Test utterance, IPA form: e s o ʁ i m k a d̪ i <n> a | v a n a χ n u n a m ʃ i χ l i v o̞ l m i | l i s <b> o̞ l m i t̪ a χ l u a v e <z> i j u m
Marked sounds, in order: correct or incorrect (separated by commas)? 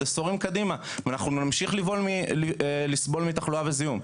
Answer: incorrect, correct, correct